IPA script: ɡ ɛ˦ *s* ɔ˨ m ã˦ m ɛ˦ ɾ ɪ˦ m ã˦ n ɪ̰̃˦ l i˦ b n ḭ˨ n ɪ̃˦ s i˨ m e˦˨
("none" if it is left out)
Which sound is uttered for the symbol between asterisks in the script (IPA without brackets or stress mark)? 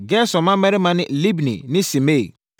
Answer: s